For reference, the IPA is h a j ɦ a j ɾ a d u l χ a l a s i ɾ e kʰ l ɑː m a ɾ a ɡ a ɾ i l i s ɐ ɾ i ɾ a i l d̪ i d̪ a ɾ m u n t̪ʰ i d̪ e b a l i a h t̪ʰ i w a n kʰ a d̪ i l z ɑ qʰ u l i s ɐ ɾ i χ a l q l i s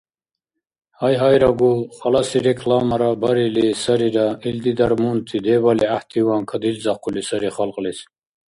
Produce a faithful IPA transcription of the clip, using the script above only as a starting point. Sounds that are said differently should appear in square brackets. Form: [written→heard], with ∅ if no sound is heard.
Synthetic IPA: h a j ɦ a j ɾ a [d→ɡ] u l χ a l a s i ɾ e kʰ l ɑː m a ɾ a [ɡ→b] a ɾ i l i s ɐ ɾ i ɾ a i l d̪ i d̪ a ɾ m u n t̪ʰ i d̪ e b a l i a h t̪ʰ i w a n kʰ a d̪ i l z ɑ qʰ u l i s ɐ ɾ i χ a l q l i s